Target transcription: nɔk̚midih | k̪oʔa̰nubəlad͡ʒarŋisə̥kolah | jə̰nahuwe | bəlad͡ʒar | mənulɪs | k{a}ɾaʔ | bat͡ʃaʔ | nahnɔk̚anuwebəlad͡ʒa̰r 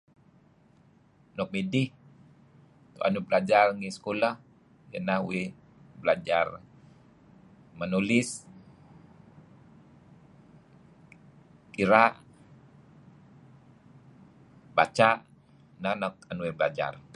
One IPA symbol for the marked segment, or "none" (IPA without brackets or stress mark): i